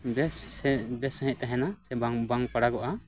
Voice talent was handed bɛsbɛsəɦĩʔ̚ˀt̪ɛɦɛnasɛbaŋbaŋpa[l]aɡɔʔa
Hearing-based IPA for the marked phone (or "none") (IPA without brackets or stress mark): ɽ